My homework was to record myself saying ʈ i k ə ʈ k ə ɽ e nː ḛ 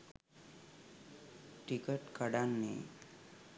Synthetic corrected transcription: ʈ i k ə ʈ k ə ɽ a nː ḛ